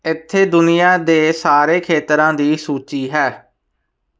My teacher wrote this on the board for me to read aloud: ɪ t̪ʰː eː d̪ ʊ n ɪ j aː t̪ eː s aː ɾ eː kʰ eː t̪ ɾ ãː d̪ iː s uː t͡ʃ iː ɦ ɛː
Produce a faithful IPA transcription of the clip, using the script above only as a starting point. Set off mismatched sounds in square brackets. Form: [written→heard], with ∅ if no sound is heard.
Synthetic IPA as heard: ɪ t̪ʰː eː d̪ ʊ n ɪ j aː [t̪→d̪] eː s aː ɾ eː kʰ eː t̪ ɾ ãː d̪ iː s uː t͡ʃ iː ɦ ɛː